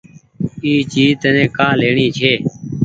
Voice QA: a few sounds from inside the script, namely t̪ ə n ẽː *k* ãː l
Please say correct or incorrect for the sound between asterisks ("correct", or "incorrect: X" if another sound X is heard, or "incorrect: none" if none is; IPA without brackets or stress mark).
correct